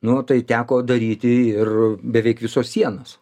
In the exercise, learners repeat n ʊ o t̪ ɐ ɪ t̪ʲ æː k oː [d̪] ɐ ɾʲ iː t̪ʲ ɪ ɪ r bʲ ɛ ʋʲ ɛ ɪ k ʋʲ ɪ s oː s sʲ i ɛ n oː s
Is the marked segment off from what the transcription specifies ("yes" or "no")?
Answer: no